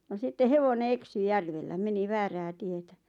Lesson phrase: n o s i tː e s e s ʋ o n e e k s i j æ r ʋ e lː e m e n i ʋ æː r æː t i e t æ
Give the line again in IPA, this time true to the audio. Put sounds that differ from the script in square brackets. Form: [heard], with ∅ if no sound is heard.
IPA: n o s i tː e [h] e [∅] ʋ o n e e k s [y] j æ r ʋ e lː [æ] m e n i ʋ æː r æː t i e t æ